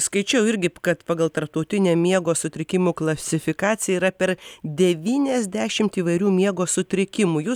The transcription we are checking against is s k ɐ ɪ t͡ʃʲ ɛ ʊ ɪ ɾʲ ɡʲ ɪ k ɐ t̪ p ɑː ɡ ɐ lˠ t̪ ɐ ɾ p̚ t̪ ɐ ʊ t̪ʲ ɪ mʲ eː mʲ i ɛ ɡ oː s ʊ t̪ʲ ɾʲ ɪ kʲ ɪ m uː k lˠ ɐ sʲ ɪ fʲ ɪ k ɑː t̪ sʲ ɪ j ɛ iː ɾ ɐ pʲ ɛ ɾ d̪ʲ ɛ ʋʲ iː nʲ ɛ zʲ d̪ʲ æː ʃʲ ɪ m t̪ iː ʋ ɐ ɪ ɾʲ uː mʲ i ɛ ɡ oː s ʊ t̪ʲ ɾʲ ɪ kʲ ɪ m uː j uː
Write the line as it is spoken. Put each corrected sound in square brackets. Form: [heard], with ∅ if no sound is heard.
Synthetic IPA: s k ɐ ɪ t͡ʃʲ ɛ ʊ ɪ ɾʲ ɡʲ ɪ k ɐ t̪ p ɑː ɡ ɐ lˠ t̪ ɐ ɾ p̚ t̪ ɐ ʊ t̪ʲ ɪ [nʲ] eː mʲ i ɛ ɡ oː s ʊ t̪ʲ ɾʲ ɪ kʲ ɪ m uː k lˠ ɐ sʲ ɪ fʲ ɪ k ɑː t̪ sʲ ɪ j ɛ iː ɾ ɐ pʲ ɛ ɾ d̪ʲ ɛ ʋʲ iː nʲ ɛ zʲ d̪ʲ æː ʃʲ ɪ m t̪ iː ʋ ɐ ɪ ɾʲ uː mʲ i ɛ ɡ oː s ʊ t̪ʲ ɾʲ ɪ kʲ ɪ m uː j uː